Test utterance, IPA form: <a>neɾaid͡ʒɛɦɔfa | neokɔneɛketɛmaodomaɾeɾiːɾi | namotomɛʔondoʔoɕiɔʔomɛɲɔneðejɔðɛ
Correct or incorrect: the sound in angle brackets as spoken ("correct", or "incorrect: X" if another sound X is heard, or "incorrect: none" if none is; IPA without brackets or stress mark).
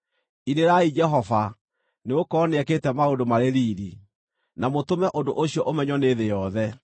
incorrect: i